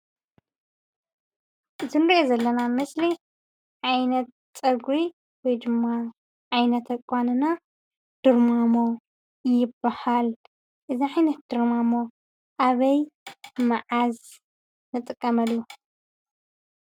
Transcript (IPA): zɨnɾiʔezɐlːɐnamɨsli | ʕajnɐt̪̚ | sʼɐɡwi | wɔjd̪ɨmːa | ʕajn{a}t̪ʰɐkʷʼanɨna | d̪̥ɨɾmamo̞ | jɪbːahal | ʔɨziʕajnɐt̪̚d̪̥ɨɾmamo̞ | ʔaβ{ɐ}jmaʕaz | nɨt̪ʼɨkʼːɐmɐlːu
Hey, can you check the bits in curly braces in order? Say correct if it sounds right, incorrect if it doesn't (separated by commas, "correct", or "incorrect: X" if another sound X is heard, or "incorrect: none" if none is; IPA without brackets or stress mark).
incorrect: ɐ, correct